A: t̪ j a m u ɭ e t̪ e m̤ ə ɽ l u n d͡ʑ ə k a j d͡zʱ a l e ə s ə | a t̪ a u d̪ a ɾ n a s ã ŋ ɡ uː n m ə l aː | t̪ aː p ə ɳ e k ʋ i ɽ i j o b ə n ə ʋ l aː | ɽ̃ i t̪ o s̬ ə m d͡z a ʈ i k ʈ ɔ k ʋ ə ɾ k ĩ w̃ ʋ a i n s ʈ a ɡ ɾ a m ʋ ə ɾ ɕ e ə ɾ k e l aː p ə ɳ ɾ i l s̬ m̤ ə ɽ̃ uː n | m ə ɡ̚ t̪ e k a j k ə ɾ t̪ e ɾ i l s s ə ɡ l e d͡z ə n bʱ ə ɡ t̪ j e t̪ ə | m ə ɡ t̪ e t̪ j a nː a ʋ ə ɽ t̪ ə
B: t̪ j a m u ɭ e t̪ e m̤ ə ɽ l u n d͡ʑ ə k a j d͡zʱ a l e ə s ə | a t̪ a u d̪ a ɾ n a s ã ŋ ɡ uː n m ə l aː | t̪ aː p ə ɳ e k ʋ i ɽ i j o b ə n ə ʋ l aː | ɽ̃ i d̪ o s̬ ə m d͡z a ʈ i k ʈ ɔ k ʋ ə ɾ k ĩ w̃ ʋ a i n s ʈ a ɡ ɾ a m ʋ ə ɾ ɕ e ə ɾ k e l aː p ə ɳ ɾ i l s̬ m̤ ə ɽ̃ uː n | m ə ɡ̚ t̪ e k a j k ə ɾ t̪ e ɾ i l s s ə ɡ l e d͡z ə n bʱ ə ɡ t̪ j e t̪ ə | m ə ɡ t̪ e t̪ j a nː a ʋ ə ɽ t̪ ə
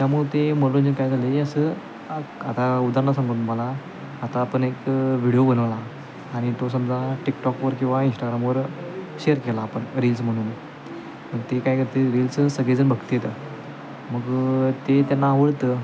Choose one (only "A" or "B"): A